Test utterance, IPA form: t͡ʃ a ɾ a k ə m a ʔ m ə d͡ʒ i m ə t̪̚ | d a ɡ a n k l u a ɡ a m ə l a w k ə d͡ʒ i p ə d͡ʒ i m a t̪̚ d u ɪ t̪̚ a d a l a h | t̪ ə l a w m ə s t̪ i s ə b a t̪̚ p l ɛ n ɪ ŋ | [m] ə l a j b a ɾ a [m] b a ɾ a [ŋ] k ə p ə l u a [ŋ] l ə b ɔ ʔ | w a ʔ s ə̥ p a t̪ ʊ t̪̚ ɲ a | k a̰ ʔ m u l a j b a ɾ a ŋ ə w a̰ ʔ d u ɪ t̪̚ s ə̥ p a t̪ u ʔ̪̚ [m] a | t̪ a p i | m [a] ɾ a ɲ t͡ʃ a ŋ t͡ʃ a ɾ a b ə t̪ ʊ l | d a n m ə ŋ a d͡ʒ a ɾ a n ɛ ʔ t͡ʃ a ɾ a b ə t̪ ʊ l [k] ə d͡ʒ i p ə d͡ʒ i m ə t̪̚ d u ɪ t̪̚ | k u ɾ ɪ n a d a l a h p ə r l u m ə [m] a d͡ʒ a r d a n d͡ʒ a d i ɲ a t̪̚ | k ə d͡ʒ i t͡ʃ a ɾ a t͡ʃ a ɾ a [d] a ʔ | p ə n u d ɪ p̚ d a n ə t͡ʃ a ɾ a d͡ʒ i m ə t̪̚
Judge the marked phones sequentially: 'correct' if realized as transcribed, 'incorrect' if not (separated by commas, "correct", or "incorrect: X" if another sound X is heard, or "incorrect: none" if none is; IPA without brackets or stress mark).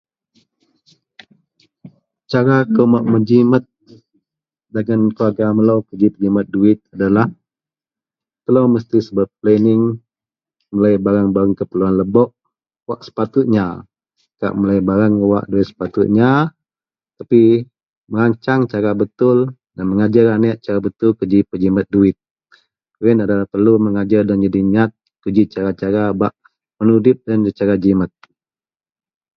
correct, incorrect: ŋ, correct, incorrect: n, incorrect: ɲ, incorrect: ə, correct, incorrect: ŋ, incorrect: b